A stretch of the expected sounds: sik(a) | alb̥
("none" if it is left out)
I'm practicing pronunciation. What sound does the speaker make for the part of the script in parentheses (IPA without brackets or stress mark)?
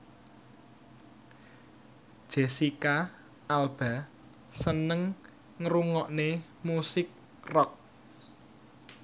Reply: a